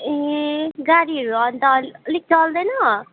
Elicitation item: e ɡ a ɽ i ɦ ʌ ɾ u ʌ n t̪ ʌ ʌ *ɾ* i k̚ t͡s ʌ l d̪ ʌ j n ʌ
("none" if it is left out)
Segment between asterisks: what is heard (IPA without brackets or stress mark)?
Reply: l